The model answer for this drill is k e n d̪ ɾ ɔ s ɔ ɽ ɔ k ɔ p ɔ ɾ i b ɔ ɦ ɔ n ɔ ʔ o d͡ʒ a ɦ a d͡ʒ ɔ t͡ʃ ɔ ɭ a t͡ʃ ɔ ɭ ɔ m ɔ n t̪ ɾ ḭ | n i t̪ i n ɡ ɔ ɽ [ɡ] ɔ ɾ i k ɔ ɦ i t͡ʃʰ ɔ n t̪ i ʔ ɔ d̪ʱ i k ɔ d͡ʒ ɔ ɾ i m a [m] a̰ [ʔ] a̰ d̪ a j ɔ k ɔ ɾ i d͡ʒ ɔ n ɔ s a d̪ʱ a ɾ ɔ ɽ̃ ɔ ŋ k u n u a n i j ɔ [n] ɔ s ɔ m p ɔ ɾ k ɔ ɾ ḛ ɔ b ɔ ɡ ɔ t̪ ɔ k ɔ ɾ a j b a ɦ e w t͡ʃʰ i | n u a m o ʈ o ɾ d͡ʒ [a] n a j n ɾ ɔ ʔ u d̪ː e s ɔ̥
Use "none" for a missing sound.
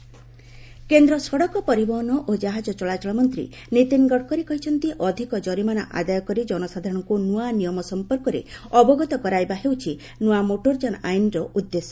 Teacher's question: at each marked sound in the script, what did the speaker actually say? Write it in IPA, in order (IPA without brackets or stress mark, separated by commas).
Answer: k, n, ʔ, m, a